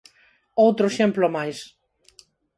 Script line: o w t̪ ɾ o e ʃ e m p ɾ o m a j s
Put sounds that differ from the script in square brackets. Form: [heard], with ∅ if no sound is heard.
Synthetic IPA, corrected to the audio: o w t̪ ɾ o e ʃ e m p [l] o m a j s